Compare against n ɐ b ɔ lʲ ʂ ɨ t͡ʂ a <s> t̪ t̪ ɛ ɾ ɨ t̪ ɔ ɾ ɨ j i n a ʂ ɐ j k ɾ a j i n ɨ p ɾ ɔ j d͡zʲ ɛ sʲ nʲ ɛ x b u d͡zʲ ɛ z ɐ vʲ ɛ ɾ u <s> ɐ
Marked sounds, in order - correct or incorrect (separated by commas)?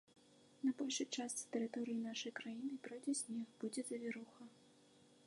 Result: correct, incorrect